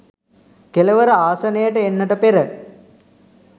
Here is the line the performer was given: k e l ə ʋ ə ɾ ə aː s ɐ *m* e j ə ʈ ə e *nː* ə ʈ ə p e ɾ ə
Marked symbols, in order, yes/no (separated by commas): no, yes